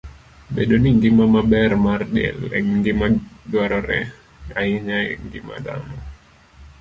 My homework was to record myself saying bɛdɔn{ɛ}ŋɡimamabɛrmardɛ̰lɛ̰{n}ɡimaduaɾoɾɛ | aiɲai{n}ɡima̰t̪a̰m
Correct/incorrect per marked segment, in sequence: incorrect: i, incorrect: ŋ, incorrect: ŋ

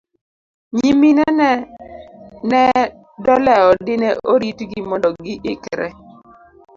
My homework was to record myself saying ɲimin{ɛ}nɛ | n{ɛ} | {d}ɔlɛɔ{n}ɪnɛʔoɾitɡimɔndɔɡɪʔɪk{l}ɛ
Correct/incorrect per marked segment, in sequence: correct, correct, correct, incorrect: d, incorrect: ɾ

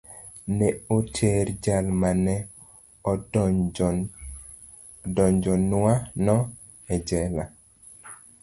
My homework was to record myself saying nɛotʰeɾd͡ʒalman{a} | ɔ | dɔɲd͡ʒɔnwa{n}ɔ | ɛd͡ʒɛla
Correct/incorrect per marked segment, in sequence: incorrect: ɛ, correct

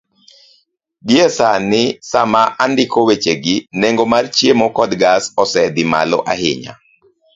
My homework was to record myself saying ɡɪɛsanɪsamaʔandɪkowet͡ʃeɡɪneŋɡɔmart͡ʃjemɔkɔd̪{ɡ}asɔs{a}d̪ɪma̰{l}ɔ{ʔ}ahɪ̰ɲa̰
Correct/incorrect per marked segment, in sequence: correct, incorrect: ɛ, correct, correct

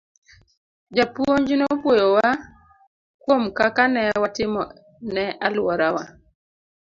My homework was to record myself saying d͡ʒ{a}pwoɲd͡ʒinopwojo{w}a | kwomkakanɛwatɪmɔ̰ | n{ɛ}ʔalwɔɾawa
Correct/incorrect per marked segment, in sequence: correct, correct, correct

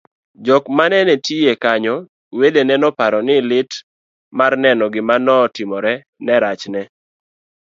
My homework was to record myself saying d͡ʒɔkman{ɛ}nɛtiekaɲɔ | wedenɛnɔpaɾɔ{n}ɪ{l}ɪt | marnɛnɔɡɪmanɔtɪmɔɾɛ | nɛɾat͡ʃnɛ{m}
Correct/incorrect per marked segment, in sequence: correct, correct, correct, incorrect: none

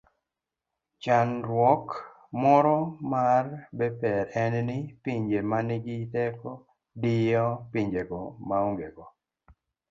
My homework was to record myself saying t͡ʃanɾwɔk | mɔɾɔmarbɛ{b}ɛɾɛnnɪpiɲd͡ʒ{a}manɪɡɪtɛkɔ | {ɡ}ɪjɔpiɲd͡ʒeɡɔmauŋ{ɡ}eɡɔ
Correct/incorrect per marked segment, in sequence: incorrect: p, incorrect: e, incorrect: d, correct

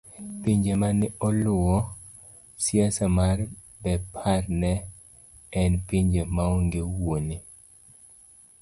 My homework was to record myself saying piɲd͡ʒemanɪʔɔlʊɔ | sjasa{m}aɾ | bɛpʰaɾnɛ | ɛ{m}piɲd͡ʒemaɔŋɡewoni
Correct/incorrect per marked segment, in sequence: correct, incorrect: n

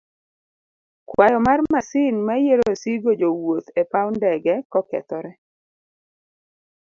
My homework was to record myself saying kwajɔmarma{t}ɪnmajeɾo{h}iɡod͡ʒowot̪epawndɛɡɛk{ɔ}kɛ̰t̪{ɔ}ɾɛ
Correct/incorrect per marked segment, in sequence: incorrect: s, incorrect: s, correct, correct

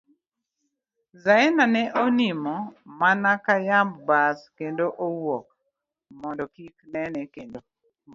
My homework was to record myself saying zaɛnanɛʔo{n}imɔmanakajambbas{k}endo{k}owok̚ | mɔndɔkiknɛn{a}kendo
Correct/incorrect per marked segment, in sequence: correct, correct, incorrect: ʔ, incorrect: ɛ

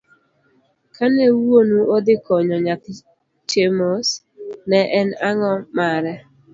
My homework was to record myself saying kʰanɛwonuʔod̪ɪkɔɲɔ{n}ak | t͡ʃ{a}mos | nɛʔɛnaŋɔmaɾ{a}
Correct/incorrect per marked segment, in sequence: incorrect: ɲ, incorrect: e, incorrect: ɛ

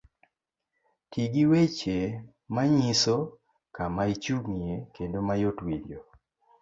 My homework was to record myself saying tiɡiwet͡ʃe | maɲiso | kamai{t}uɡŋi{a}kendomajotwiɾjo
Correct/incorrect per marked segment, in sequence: incorrect: t͡ʃ, incorrect: e

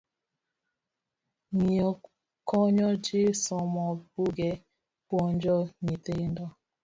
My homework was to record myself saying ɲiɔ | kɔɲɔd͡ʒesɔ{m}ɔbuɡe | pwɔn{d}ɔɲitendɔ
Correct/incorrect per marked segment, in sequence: correct, incorrect: d͡ʒ

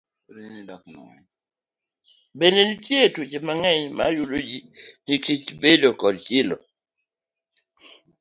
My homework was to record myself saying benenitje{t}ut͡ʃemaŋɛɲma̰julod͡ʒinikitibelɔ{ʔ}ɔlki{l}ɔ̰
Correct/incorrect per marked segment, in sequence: correct, incorrect: k, correct

